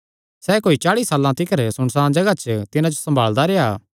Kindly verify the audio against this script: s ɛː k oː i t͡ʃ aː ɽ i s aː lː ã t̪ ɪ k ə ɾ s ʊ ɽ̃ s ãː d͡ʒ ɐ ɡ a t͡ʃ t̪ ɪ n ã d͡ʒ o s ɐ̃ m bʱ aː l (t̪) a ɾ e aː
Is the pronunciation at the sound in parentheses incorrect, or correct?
incorrect